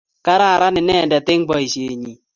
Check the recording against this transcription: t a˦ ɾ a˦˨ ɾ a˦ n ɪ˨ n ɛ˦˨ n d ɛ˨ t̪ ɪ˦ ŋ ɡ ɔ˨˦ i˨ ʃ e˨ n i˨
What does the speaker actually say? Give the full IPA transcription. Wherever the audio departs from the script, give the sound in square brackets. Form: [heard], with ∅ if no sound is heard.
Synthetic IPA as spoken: [k] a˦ ɾ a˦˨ ɾ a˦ n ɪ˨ n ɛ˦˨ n d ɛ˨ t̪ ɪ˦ ŋ [b] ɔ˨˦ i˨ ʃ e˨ [ɲ] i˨